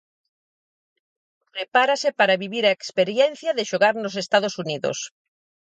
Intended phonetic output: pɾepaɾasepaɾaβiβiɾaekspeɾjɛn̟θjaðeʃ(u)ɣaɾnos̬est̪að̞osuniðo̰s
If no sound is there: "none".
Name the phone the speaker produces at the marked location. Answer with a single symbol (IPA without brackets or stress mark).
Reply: o